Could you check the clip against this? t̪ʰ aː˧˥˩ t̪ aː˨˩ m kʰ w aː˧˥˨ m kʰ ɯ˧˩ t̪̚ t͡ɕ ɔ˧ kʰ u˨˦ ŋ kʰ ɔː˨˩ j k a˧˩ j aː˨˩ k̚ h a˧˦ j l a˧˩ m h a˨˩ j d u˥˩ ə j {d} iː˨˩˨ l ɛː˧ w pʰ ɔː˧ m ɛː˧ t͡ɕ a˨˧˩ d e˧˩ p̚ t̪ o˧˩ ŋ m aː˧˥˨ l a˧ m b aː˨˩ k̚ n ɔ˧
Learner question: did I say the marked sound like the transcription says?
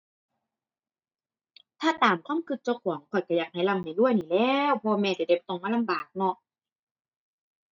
no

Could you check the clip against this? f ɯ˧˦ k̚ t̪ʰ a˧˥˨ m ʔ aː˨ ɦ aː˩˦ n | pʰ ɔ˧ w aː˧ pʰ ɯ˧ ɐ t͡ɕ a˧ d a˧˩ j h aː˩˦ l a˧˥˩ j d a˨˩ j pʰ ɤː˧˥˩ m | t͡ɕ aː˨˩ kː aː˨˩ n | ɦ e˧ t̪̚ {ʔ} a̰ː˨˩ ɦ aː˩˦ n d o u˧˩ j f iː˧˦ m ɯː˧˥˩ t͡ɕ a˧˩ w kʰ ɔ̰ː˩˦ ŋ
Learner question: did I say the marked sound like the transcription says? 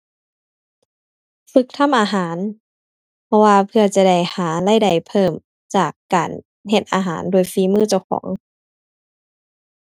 yes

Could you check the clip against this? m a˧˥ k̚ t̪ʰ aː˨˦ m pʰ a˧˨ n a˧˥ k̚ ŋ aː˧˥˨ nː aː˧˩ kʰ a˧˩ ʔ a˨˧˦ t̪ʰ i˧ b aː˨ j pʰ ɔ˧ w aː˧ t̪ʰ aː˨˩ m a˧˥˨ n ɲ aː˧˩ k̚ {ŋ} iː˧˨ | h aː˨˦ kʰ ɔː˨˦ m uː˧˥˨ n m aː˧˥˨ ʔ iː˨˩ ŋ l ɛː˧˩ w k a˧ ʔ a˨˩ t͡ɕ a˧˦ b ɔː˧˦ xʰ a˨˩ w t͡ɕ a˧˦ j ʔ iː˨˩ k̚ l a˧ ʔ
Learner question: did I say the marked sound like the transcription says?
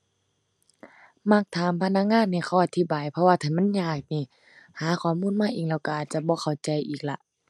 no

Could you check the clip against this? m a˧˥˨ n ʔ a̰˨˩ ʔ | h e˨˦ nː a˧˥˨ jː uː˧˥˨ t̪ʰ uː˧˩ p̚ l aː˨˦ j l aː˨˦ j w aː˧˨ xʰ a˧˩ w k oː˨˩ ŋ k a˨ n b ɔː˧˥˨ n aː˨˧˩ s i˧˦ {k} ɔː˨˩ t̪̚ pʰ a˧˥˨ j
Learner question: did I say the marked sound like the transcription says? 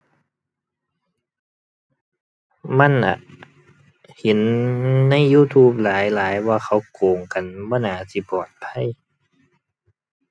no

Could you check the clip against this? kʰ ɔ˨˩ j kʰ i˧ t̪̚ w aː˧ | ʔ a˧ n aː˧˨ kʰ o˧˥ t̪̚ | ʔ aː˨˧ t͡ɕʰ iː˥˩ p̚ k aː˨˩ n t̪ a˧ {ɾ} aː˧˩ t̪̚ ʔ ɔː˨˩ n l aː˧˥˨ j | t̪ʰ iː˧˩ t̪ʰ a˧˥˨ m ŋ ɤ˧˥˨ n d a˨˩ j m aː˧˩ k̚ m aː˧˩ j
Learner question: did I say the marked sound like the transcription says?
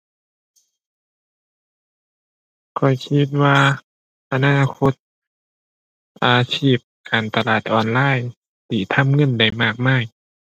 no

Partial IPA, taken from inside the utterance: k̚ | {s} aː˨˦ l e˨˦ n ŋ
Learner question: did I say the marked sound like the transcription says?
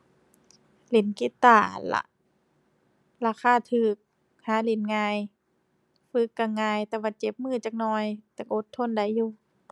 no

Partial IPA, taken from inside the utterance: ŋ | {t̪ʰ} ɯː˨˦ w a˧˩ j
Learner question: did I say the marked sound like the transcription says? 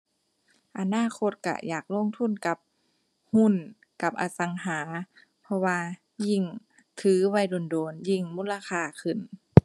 yes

